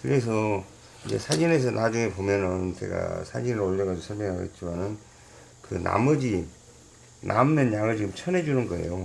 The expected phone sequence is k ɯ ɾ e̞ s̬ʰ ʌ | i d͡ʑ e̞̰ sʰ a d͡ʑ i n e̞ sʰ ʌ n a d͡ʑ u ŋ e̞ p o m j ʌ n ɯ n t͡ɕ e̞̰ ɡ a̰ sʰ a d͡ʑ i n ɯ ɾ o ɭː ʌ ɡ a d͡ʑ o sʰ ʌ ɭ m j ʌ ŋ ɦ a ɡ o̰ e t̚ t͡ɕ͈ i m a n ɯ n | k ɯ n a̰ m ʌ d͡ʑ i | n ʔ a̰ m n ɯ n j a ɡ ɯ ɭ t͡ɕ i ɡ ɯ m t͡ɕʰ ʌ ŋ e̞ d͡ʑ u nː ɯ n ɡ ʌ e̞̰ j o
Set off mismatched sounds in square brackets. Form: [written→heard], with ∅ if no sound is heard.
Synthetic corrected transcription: k ɯ ɾ e̞ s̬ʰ ʌ | i d͡ʑ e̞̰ sʰ a d͡ʑ i n e̞ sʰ ʌ n a d͡ʑ u ŋ e̞ p o m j ʌ n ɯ n t͡ɕ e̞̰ ɡ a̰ sʰ a d͡ʑ i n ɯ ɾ o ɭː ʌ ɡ a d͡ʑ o sʰ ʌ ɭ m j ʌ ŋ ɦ a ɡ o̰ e t̚ t͡ɕ͈ i m a n ɯ n | k ɯ n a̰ m ʌ d͡ʑ i | n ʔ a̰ m n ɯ n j a [ɡ→ŋ] ɯ ɭ t͡ɕ i ɡ ɯ m t͡ɕʰ ʌ [ŋ→n] e̞ d͡ʑ u [nː→n] ɯ n ɡ ʌ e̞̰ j o